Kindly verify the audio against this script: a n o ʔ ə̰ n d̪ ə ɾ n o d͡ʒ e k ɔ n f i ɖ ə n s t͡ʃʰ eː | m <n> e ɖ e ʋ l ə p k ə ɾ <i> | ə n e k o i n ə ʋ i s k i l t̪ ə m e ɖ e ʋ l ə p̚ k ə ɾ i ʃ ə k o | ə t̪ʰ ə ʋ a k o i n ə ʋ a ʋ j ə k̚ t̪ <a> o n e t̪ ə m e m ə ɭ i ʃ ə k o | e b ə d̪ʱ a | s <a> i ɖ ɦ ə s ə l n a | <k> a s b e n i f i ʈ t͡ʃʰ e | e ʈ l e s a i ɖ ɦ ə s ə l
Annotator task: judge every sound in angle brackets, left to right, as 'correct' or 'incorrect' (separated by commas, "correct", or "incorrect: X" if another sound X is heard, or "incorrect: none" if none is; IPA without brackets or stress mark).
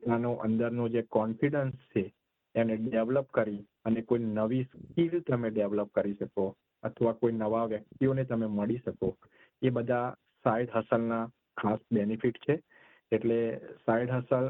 correct, correct, incorrect: i, correct, incorrect: kʰ